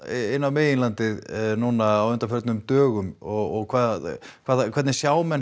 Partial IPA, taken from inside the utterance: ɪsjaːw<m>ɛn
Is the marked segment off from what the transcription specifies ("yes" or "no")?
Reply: no